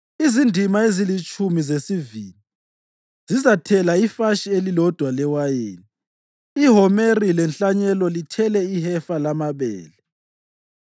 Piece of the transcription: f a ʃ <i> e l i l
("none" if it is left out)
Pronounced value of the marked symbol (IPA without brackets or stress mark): i